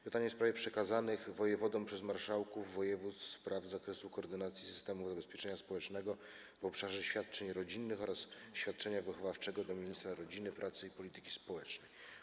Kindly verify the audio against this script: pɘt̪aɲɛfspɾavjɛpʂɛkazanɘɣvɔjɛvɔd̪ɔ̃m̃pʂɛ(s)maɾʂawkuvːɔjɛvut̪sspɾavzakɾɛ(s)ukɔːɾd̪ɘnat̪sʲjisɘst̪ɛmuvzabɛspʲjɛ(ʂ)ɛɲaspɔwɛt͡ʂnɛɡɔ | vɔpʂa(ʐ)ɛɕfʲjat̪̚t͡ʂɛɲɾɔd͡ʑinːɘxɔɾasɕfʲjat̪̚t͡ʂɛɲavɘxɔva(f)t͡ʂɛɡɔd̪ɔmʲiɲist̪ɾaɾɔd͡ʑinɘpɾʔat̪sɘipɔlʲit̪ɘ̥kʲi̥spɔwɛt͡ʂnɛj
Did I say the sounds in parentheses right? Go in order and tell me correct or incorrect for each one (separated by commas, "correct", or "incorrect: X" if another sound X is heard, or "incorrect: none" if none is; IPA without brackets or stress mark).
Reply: incorrect: z, correct, incorrect: t͡ʂ, correct, correct